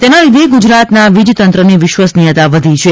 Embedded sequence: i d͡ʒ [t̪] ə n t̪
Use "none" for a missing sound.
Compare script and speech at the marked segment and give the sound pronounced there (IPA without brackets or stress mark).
t̪